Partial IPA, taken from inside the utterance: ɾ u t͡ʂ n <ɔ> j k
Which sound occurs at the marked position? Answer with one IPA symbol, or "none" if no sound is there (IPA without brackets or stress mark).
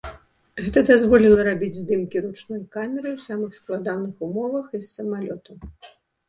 ɔ